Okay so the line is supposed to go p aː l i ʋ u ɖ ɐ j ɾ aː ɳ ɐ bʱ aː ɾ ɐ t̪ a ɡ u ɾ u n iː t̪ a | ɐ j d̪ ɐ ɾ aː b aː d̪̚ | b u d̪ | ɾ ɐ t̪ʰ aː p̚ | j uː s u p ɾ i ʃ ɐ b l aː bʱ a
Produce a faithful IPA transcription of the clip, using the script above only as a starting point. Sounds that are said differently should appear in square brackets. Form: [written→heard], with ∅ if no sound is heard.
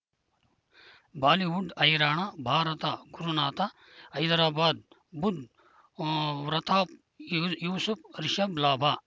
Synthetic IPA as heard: [p→b] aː l i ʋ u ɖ ɐ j ɾ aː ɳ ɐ bʱ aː ɾ ɐ t̪ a ɡ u ɾ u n [iː→aː] t̪ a | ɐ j d̪ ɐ ɾ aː b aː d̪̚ | b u d̪ | ɾ ɐ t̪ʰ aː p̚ | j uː s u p ɾ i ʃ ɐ b l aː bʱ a